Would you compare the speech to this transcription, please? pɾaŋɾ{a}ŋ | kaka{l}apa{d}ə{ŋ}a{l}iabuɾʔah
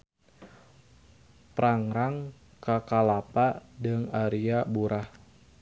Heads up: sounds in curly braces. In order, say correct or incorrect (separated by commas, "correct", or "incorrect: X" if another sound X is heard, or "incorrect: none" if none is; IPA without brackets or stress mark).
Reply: correct, correct, correct, correct, incorrect: ɾ